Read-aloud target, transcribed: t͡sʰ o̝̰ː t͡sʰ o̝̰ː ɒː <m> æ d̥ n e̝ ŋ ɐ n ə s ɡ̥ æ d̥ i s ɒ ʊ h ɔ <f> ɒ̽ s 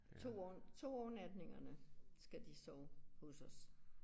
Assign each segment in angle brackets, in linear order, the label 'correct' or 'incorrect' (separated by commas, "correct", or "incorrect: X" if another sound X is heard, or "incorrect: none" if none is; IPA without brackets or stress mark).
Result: incorrect: n, incorrect: s